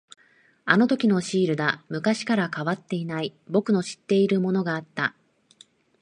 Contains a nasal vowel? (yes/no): no